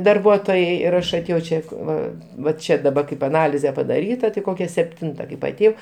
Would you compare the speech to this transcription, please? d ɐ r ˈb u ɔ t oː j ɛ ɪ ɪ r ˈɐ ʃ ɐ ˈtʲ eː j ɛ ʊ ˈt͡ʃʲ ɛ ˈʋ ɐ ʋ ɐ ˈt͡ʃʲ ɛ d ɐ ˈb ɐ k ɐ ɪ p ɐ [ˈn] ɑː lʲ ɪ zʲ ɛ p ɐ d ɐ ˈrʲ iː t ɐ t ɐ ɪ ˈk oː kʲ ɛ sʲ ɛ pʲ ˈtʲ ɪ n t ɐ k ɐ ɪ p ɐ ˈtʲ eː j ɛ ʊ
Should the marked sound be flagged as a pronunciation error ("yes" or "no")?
no